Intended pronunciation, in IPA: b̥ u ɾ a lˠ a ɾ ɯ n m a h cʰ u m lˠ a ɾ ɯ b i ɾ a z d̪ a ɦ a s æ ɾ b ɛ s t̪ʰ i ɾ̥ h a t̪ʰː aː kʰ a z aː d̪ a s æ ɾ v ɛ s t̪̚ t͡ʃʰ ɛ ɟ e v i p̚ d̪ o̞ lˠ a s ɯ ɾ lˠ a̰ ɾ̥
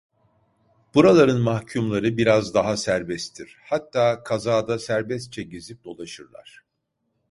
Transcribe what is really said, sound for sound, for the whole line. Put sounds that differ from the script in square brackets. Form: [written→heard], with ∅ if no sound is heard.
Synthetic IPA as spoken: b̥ u ɾ a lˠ a ɾ ɯ n m a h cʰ u m lˠ a ɾ ɯ b i ɾ a z d̪ a ɦ a s æ ɾ b ɛ s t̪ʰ i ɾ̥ h a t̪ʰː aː kʰ a z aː d̪ a s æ ɾ [v→b] ɛ s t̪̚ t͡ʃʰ ɛ ɟ e [v→z] i p̚ d̪ o̞ lˠ a [s→ʃ] ɯ ɾ lˠ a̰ ɾ̥